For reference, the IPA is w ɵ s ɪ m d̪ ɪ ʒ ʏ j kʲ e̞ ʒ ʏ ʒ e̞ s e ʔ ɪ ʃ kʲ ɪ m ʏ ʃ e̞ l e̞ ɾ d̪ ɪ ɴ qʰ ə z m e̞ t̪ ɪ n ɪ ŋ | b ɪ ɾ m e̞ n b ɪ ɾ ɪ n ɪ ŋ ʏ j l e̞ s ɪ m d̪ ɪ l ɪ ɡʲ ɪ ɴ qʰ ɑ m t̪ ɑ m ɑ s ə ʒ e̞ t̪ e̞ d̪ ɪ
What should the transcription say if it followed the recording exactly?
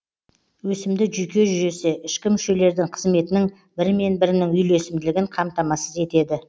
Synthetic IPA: w ɵ s ɪ m d̪ ɪ ʒ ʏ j kʲ e̞ ʒ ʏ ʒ e̞ s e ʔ ɪ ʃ kʲ ɪ m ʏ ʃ e̞ l e̞ ɾ d̪ ɪ ŋ qʰ ə z m e̞ t̪ ɪ n ɪ ŋ | b ɪ ɾ m e̞ n b ɪ ɾ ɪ n ɪ ŋ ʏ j l e̞ s ɪ m d̪ ɪ l ɪ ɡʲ ɪ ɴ qʰ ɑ m t̪ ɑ m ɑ s ə z e̞ t̪ e̞ d̪ ɪ